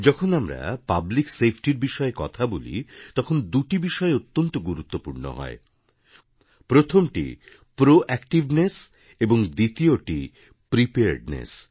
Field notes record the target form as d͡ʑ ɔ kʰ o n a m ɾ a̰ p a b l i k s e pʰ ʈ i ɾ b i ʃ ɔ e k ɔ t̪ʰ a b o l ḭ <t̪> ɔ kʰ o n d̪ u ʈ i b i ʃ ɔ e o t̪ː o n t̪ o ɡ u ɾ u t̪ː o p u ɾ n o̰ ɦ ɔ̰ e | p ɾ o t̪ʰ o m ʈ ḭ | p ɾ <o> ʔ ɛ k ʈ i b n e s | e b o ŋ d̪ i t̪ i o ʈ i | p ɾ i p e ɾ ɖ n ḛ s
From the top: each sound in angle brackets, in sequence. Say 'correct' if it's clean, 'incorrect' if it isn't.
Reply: correct, correct

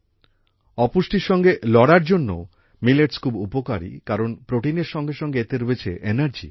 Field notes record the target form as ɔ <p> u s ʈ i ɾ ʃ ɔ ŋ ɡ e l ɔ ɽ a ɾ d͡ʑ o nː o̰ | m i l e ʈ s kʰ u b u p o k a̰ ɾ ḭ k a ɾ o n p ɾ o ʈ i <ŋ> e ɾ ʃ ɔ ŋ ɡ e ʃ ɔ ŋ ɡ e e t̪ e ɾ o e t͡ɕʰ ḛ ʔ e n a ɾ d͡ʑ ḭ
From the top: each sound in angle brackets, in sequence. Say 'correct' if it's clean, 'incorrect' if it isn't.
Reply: correct, incorrect: n

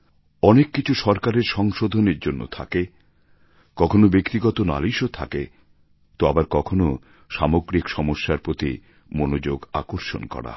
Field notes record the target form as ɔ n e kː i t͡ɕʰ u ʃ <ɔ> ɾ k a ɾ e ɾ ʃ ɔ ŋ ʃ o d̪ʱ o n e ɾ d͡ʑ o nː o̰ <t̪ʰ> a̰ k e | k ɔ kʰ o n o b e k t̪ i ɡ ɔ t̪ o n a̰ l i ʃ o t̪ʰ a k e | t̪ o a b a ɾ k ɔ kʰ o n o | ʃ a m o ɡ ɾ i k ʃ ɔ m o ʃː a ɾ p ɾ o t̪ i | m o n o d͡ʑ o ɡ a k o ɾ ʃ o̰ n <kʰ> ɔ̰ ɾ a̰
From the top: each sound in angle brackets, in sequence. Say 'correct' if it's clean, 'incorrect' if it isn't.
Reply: correct, correct, incorrect: k

